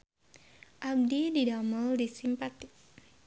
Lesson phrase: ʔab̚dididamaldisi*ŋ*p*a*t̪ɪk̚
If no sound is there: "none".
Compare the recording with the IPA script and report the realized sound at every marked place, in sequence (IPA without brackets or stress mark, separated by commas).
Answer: m, a